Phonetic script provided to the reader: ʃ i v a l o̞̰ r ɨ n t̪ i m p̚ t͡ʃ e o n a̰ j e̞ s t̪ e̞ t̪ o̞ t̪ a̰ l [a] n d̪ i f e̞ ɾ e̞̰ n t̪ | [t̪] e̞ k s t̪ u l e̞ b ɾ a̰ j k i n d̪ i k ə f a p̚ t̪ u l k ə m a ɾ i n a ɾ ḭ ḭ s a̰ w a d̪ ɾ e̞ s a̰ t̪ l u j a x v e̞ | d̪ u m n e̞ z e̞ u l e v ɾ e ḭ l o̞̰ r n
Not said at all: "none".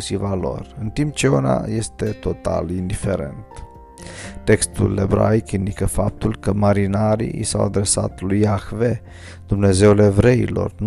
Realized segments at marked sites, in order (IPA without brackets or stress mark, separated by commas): i, t̪